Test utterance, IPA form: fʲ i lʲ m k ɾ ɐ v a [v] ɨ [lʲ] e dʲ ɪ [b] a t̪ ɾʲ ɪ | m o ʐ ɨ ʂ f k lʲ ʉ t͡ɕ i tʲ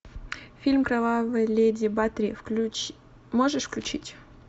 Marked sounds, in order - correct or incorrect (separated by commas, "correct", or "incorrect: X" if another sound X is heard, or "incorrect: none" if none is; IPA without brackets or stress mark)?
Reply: correct, correct, correct